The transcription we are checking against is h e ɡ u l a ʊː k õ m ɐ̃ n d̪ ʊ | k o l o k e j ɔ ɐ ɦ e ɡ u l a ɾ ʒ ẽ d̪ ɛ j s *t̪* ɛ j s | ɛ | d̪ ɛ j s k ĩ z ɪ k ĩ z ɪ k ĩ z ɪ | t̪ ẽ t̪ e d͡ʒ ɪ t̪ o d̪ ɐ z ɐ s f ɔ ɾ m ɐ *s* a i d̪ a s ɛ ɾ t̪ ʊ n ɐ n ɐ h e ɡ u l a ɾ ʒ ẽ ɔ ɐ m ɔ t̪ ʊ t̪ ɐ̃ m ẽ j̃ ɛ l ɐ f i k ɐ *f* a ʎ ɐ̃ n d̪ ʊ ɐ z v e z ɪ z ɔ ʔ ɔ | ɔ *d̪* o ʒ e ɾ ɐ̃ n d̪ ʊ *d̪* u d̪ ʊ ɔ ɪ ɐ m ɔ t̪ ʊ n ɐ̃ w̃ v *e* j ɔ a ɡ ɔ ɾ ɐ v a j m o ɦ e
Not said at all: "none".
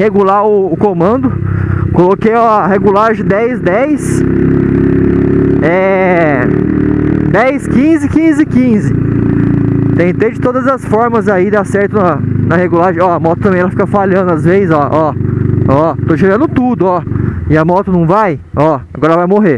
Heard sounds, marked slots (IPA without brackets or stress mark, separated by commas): d̪, z, f, t̪, t̪, a